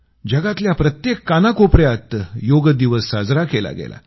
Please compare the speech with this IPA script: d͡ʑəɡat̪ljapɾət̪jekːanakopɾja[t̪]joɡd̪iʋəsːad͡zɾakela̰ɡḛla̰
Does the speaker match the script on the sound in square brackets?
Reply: yes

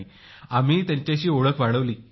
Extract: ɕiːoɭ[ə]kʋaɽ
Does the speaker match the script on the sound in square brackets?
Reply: yes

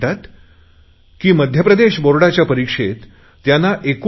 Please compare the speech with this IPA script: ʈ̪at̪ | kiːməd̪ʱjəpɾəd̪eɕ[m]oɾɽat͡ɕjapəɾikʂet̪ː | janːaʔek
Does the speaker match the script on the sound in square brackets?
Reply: no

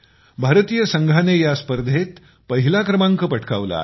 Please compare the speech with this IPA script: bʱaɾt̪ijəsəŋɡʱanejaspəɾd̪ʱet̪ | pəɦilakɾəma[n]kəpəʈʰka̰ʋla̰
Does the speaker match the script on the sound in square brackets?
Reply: no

